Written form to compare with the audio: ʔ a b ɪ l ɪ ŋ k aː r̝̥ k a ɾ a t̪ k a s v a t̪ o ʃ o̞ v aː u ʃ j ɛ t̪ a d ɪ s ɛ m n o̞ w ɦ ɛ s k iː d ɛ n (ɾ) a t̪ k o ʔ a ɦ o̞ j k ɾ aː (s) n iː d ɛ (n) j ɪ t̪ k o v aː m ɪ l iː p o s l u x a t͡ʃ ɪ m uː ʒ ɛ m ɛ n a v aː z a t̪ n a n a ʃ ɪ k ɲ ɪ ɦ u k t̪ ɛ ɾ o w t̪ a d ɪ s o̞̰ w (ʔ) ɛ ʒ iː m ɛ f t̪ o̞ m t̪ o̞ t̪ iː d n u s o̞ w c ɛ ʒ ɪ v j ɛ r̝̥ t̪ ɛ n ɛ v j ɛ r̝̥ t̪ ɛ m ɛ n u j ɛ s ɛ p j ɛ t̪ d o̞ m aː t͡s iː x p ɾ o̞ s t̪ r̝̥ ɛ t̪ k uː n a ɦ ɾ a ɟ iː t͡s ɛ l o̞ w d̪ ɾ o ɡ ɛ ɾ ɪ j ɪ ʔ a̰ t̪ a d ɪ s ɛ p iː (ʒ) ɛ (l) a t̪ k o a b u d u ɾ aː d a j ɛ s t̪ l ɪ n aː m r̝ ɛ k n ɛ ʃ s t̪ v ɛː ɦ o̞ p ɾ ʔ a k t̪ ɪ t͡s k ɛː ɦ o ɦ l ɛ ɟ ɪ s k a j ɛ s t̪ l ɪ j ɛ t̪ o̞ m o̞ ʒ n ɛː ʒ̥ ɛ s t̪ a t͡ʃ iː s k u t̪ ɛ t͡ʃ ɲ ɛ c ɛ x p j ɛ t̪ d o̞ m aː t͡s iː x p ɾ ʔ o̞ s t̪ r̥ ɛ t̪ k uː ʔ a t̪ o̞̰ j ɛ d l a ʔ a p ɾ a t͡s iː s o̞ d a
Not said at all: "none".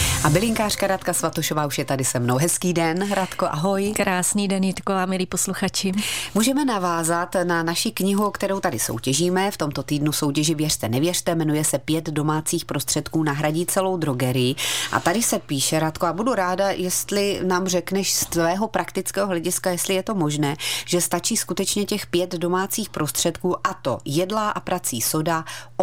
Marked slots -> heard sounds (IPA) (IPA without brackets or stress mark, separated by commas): ɾ, s, n, c, ʃ, ɾ